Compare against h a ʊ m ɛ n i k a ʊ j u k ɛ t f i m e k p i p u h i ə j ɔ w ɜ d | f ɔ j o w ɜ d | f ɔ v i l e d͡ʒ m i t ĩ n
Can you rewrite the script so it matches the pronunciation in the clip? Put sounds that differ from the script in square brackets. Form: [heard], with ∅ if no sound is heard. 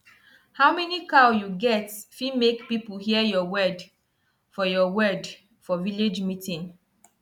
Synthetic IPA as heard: h a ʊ m ɛ n i k a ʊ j u [ɡ] ɛ t f i m e k p i p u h i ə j ɔ w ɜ d | f ɔ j [ɔ] w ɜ d | f ɔ v i l e d͡ʒ m i t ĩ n